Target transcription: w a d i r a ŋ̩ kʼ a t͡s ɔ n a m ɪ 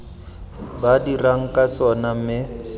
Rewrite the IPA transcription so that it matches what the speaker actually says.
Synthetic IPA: b a d i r a ŋ̩ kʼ a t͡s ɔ n a m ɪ

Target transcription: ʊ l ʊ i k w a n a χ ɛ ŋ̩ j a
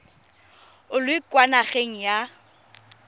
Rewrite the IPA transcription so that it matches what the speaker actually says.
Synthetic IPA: ʊ l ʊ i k w a n a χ e ŋ̩ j a

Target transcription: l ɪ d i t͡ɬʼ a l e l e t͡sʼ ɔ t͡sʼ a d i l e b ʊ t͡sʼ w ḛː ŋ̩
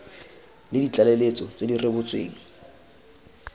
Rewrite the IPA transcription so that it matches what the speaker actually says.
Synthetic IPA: l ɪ d i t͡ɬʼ a l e l e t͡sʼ ɔ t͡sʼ e d i r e b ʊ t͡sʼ w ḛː ŋ̩

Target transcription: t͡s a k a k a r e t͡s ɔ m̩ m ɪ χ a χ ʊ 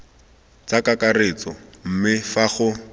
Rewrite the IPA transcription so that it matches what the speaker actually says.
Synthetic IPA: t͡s a k a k a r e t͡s ɔ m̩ m ɪ f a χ ʊ

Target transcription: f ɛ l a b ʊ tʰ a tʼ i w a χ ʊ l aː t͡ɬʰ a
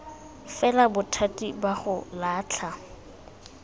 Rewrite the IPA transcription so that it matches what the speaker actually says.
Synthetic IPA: f ɛ l a b ʊ tʰ a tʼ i b a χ ʊ l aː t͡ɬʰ a

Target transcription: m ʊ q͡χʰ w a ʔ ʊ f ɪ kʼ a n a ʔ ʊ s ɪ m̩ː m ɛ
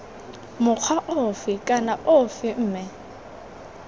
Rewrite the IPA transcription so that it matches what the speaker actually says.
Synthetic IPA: m ʊ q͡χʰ w a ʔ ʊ f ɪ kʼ a n a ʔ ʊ f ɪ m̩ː m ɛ

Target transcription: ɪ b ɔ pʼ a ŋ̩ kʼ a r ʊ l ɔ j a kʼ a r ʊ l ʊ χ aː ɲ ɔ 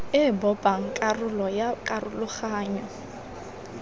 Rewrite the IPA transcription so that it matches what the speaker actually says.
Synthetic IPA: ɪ b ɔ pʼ a ŋ̩ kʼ a r ʊ l ɔ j a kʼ a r ʊ l ʊ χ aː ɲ ɔ

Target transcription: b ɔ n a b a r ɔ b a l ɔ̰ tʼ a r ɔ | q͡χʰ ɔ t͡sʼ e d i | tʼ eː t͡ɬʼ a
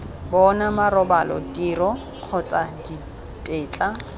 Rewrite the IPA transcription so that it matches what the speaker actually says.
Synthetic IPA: b ɔ n a m a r ɔ b a l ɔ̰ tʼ i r ɔ | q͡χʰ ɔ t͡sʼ a d i | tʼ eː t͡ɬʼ a

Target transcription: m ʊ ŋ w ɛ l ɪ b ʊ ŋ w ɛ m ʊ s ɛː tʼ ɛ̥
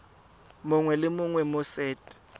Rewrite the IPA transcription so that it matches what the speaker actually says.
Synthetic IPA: m ʊ ŋ w ɛ l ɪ m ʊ ŋ w ɛ m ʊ s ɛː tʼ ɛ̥

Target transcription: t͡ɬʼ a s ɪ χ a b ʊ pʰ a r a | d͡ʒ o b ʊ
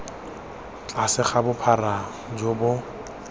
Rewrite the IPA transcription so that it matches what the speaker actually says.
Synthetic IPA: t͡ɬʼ a s ɪ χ a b ʊ pʰ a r a | d͡ʒ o b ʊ

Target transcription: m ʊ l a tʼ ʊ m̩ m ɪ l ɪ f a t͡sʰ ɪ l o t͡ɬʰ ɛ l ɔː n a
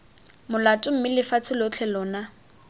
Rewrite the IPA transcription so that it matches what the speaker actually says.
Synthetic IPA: m ʊ l a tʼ ʊ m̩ m ɪ l ɪ f a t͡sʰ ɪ l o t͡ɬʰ ɛ l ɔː n a

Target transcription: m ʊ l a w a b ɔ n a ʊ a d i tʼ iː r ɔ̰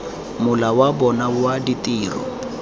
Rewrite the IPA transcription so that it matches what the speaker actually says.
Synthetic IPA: m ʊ l a w a b ɔ n a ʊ a d i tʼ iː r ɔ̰

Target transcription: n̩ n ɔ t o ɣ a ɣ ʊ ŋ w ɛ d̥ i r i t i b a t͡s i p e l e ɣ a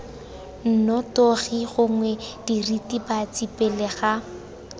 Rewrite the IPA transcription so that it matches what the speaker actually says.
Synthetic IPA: n̩ n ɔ t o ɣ i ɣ ʊ ŋ w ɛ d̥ i r i t i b a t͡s i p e l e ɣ a

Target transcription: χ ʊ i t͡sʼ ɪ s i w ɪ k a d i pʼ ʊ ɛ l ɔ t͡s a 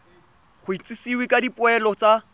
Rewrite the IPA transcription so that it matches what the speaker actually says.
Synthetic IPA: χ ʊ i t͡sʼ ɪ s i w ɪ k a d i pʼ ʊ ɛ l ɔ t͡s a

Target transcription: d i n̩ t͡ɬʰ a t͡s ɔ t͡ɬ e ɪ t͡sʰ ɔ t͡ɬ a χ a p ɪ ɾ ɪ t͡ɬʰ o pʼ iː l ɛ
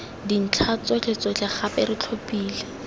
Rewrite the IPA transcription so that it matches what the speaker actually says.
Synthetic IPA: d i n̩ t͡ɬʰ a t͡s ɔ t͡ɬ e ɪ t͡s ɔ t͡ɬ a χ a p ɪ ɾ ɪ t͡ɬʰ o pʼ iː l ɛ

